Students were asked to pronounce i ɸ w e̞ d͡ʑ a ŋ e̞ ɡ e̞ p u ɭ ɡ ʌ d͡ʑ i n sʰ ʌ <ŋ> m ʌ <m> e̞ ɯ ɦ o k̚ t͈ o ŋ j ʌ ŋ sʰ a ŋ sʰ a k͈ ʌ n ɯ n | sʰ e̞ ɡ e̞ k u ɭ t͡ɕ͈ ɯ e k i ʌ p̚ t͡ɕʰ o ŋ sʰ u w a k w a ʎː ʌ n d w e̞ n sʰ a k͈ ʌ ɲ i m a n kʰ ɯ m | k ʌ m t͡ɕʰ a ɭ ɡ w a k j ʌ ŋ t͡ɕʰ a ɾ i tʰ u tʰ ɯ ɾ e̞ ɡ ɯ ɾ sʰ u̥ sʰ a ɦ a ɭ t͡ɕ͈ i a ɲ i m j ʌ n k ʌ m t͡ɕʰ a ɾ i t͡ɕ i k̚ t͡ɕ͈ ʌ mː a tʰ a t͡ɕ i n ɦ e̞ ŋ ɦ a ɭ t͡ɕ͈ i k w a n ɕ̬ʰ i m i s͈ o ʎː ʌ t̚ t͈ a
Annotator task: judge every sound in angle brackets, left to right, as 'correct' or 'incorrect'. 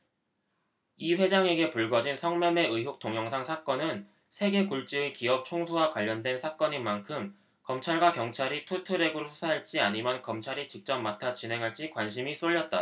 correct, correct

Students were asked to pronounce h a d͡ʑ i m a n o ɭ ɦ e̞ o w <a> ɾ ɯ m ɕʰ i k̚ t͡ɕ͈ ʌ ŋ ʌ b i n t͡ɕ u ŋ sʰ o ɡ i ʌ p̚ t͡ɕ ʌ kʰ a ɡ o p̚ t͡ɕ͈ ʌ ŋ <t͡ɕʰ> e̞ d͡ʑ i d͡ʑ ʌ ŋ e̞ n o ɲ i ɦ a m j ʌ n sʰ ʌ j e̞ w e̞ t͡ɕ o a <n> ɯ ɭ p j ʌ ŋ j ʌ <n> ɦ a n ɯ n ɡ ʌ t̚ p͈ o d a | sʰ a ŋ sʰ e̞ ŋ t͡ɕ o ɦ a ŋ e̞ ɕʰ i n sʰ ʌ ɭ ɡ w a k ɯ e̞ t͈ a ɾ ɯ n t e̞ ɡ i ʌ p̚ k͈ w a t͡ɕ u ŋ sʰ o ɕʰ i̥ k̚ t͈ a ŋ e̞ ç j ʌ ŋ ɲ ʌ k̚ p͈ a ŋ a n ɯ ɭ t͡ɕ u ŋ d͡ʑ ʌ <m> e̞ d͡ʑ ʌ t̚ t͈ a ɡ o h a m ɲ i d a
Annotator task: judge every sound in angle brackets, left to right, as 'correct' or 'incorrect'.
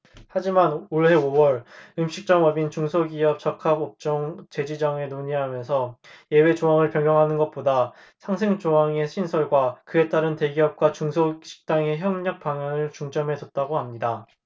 incorrect: ʌ, incorrect: t͡ɕ, incorrect: ŋ, incorrect: ŋ, correct

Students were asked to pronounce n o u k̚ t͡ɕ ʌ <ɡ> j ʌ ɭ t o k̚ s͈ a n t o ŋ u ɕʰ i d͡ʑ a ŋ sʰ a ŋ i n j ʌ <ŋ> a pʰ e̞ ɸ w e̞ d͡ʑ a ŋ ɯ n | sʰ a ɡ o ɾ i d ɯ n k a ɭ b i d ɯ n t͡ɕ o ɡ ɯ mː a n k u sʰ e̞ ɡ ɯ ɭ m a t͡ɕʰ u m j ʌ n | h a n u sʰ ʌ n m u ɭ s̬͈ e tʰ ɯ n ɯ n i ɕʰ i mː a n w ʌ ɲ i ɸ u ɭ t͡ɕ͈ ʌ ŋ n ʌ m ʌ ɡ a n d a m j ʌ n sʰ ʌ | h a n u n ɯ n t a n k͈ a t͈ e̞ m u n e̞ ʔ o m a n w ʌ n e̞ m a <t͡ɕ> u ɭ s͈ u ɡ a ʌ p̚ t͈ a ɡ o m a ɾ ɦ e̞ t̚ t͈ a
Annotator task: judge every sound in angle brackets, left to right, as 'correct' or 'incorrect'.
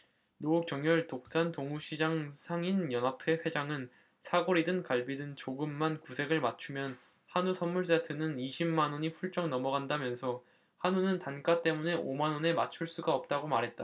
incorrect: ŋ, incorrect: n, incorrect: t͡ɕʰ

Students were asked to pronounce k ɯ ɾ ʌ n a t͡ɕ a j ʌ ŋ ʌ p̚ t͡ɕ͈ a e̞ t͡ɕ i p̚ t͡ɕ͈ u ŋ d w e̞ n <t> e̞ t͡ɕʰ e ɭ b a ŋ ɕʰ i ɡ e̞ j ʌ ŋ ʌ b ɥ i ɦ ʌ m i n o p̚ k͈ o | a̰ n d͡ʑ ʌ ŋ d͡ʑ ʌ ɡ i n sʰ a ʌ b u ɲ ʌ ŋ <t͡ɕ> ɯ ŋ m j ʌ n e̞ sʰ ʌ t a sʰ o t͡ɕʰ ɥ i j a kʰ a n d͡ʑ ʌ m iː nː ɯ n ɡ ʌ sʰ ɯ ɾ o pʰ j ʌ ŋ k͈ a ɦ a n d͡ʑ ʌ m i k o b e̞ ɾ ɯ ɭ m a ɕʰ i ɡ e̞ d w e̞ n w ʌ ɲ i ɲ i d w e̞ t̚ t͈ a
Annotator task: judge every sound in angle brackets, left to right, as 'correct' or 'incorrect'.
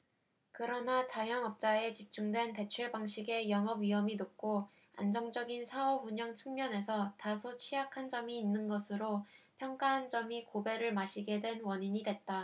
correct, incorrect: t͡ɕʰ

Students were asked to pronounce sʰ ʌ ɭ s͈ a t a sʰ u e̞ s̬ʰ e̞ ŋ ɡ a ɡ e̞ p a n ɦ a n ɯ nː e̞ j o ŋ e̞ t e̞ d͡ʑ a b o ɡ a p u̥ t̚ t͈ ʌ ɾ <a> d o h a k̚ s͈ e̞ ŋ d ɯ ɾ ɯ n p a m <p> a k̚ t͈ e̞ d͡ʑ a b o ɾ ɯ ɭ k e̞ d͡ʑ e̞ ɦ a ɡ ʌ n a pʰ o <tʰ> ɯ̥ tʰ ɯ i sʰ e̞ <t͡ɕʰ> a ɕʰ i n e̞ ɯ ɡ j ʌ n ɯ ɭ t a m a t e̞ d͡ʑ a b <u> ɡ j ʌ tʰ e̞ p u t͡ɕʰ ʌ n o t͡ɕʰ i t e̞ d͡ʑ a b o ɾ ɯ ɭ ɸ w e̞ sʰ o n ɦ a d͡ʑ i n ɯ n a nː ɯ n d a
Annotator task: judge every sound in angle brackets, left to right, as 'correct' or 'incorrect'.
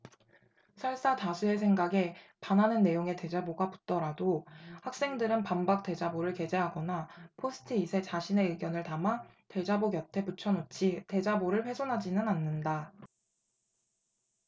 correct, incorrect: b, incorrect: sʰ, incorrect: t͡ɕ, incorrect: o

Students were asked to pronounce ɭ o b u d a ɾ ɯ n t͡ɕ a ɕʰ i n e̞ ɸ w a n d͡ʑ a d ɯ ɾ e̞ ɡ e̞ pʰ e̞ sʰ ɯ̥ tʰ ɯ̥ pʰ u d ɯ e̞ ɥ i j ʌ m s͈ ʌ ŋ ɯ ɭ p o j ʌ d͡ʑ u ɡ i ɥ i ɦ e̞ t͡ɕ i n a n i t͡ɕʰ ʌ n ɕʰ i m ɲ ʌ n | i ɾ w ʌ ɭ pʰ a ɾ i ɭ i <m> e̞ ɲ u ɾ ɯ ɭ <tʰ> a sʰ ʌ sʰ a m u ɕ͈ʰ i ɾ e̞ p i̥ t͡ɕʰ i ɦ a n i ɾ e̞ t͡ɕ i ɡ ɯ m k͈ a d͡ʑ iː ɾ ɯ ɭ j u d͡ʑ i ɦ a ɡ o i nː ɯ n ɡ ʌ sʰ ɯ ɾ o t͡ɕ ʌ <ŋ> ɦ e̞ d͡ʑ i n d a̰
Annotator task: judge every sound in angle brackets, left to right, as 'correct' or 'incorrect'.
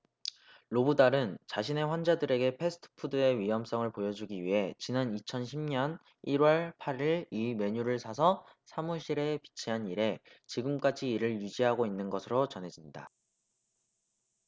correct, incorrect: sʰ, incorrect: n

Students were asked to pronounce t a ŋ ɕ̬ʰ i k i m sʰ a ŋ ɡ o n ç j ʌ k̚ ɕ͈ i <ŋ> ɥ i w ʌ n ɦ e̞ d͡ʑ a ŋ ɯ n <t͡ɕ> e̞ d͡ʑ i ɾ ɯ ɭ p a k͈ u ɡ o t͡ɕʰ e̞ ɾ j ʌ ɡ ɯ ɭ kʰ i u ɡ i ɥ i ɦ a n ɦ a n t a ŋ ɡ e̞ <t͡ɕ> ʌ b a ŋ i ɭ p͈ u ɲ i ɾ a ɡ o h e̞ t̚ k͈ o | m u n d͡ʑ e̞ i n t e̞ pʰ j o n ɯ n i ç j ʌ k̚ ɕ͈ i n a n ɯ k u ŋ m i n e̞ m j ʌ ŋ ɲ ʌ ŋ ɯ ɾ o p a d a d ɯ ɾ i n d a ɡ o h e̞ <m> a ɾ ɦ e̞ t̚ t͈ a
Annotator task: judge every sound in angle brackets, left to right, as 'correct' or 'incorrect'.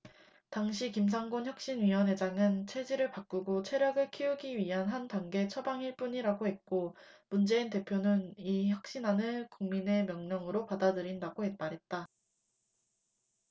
incorrect: n, incorrect: t͡ɕʰ, incorrect: t͡ɕʰ, correct

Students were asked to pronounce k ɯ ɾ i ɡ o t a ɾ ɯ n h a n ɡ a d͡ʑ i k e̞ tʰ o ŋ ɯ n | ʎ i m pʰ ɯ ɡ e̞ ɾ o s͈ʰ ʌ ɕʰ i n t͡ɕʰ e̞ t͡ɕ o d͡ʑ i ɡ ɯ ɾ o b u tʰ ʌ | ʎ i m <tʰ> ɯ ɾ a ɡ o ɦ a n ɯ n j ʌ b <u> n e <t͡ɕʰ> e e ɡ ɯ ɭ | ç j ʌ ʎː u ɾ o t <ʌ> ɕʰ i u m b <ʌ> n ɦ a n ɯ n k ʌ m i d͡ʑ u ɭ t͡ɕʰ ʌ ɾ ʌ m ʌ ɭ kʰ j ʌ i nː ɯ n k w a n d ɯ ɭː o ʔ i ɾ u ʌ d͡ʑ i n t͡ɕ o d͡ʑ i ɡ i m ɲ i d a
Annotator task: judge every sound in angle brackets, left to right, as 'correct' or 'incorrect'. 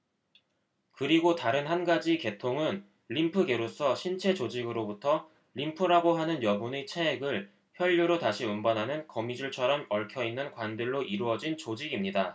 incorrect: pʰ, correct, correct, incorrect: a, correct

